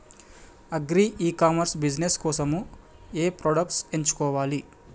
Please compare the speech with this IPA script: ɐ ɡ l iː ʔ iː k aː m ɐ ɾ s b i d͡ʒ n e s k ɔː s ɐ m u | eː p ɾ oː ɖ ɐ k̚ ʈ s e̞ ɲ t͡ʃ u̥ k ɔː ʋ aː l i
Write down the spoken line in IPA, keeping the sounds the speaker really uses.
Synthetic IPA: ɐ ɡ ɾ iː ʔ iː k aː m ɐ ɾ s b i d͡ʒ n e s k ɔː s ɐ m u | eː p ɾ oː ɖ ɐ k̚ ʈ s e̞ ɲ t͡ʃ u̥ k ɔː ʋ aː l i